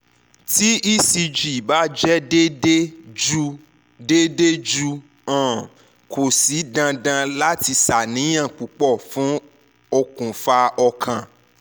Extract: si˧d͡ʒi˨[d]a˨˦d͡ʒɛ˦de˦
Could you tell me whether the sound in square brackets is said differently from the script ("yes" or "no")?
yes